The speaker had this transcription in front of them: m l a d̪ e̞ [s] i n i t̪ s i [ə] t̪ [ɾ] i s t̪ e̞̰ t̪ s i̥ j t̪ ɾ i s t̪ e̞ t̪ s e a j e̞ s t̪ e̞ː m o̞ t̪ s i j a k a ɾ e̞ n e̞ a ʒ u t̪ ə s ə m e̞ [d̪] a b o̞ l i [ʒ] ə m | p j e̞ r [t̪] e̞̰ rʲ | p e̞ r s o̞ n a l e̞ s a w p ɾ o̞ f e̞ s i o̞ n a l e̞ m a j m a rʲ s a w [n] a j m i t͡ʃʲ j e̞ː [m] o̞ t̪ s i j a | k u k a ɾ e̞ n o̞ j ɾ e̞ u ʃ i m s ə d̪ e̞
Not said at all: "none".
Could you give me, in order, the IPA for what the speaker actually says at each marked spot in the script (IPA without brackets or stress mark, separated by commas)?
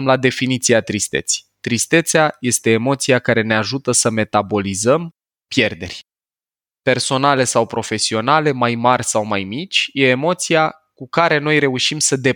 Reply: f, a, ɾ, t̪, z, d̪, m, m